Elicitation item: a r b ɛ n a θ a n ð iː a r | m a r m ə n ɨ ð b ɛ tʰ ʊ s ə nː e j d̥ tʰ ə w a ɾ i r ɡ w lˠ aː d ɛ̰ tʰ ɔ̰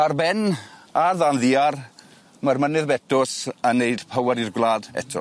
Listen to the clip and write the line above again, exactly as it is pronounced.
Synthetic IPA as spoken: a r b ɛ n a ð a n ð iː a r | m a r m ə n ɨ ð b ɛ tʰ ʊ s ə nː e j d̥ pʰ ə w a ɾ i r ɡ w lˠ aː d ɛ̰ tʰ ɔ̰